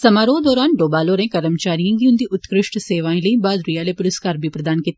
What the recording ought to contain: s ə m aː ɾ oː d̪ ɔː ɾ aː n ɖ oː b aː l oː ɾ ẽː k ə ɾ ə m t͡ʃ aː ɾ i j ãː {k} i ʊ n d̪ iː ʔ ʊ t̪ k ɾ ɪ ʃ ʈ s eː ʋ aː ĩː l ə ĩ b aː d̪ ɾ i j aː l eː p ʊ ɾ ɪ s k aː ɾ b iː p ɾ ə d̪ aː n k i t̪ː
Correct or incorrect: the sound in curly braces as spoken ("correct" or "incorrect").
incorrect